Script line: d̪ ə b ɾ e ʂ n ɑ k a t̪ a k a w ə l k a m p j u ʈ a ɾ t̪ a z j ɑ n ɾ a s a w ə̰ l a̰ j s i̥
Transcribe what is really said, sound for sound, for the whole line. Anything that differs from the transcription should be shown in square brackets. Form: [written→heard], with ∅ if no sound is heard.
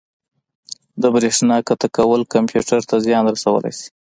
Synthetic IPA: d̪ ə b ɾ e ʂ n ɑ k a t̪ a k a w ə l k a m p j u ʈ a ɾ t̪ a z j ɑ n ɾ a s a w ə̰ l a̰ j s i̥